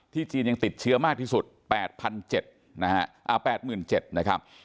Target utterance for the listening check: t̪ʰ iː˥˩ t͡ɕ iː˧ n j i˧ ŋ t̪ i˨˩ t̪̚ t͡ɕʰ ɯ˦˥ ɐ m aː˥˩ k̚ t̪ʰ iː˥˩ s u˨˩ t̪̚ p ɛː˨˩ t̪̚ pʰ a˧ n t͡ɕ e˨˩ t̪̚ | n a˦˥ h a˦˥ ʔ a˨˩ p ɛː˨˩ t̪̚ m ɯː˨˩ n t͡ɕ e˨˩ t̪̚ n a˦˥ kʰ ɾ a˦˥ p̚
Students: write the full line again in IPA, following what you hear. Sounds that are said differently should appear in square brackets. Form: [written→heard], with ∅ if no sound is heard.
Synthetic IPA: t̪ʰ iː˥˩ t͡ɕ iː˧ n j [i˧→a˧] ŋ t̪ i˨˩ t̪̚ t͡ɕʰ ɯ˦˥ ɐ m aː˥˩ k̚ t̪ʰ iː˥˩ s u˨˩ t̪̚ p ɛː˨˩ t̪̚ pʰ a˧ n t͡ɕ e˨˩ t̪̚ | n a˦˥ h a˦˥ ʔ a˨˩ p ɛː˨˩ t̪̚ m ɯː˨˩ n t͡ɕ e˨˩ t̪̚ n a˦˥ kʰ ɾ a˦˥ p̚